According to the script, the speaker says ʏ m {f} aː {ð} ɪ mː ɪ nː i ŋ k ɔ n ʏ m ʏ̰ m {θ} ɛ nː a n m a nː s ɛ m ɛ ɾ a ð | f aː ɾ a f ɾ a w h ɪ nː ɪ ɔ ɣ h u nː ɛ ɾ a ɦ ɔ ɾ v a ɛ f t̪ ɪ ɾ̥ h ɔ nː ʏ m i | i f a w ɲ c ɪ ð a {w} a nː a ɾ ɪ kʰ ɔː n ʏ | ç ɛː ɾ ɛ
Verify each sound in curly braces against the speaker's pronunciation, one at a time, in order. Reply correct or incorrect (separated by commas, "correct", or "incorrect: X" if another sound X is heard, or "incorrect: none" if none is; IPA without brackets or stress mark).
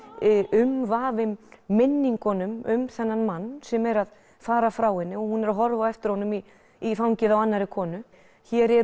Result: incorrect: v, incorrect: v, correct, correct